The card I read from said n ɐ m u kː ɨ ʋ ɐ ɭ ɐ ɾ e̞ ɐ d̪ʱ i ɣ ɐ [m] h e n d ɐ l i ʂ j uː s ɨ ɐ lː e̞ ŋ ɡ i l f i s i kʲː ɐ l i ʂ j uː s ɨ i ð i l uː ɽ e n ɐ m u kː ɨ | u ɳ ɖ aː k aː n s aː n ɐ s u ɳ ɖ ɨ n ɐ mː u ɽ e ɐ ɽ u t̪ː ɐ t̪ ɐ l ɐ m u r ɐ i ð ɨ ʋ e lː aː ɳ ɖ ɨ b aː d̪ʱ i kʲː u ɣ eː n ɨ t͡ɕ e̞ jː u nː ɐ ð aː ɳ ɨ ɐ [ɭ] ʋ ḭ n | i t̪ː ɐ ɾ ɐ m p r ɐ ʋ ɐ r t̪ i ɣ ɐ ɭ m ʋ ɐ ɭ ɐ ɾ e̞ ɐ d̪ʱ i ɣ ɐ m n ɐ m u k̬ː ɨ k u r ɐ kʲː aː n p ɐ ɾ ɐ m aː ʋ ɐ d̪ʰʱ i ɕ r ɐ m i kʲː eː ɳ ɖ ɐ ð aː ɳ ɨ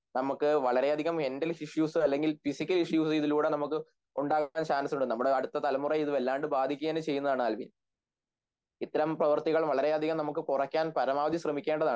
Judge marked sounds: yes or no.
yes, no

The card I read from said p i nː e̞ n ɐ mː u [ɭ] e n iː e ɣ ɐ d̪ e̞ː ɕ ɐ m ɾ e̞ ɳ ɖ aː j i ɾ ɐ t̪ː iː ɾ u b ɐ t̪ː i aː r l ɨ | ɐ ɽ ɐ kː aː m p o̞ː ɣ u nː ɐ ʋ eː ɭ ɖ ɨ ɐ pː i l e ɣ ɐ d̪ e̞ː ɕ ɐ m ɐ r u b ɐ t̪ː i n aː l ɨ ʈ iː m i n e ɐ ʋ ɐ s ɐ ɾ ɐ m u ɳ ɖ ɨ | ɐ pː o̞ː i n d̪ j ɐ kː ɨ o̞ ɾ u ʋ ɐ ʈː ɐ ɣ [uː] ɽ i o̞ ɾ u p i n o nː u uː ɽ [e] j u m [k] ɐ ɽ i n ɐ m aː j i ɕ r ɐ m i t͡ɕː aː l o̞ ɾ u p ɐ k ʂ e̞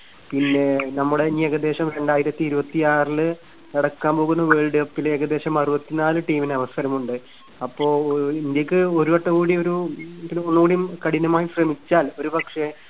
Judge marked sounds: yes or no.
no, yes, no, yes

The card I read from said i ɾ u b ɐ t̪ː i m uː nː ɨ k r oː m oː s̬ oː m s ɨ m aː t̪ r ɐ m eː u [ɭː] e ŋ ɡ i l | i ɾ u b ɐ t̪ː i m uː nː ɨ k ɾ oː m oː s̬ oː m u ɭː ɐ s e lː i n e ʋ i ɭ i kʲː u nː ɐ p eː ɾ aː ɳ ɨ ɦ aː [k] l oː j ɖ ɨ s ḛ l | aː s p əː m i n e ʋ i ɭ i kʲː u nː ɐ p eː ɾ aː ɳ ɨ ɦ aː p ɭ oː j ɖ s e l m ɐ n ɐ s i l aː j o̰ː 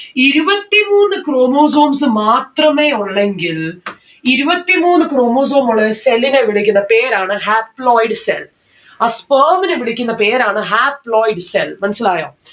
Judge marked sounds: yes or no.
yes, no

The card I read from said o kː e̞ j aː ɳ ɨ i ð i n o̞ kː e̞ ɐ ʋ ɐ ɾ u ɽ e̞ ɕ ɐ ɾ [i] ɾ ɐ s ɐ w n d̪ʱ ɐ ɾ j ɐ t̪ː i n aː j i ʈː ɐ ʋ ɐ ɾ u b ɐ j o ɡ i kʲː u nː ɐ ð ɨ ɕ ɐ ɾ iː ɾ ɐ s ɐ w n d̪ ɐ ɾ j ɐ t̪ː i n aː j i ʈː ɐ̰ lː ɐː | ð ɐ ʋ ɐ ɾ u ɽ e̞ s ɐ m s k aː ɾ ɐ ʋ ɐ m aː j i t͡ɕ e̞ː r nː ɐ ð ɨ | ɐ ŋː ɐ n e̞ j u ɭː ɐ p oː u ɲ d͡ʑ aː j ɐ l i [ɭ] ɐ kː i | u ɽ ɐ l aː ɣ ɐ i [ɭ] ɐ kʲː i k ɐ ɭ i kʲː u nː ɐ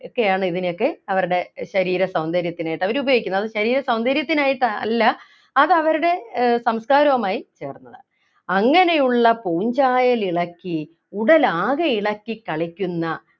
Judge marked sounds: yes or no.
no, yes, yes

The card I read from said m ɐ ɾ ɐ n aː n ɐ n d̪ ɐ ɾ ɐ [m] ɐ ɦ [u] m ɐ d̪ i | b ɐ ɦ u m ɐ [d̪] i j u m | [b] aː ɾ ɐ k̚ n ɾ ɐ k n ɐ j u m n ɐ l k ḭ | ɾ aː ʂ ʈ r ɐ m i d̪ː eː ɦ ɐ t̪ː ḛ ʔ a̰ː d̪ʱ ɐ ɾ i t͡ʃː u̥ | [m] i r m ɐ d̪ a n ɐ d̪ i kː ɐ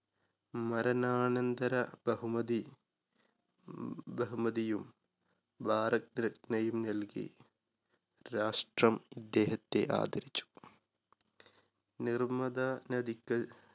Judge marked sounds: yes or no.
no, yes, yes, yes, no

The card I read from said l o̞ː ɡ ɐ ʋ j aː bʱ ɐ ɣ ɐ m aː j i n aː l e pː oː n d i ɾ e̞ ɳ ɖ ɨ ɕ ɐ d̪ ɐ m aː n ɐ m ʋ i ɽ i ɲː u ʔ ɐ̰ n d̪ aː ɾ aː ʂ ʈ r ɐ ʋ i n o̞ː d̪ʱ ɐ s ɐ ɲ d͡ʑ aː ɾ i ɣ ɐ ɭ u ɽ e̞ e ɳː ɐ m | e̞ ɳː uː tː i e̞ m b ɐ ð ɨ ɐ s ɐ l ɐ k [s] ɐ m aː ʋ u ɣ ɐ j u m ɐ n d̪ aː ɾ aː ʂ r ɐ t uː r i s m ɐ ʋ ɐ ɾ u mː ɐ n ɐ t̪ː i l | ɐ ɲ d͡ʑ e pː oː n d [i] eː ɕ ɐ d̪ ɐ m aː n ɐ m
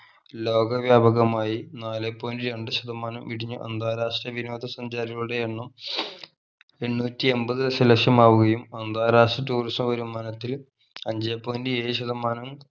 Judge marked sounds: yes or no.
no, yes

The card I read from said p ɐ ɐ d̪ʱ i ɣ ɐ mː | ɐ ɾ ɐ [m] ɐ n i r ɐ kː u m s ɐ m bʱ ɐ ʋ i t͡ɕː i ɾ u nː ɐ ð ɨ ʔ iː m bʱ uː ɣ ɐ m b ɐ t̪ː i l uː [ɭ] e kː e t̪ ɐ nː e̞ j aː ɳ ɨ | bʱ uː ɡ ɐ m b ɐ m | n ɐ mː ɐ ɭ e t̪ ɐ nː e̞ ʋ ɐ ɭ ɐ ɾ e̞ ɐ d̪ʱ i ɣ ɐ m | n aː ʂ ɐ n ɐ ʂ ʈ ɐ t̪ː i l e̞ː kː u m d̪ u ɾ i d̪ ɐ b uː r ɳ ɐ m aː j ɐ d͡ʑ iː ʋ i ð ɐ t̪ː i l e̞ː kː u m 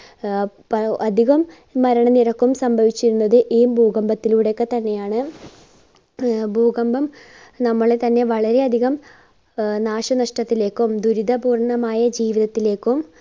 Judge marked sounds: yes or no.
no, no

